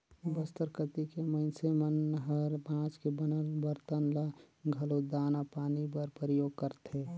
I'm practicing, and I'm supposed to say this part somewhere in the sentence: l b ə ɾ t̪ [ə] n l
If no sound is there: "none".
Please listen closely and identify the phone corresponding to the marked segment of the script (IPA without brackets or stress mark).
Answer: ə